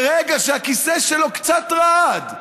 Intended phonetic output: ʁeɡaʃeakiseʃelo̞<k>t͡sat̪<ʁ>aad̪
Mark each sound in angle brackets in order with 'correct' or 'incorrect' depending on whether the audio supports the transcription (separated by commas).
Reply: correct, correct